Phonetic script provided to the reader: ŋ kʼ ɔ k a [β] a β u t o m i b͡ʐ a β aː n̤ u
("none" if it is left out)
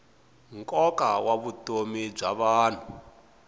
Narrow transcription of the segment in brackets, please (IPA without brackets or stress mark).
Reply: w